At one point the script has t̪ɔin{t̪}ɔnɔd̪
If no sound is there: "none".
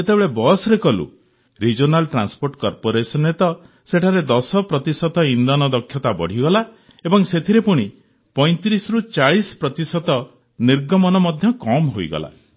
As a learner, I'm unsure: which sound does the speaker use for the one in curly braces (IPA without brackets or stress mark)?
d̪